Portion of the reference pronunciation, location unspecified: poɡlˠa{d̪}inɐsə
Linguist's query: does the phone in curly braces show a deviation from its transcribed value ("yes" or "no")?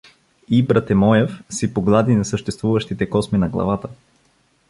no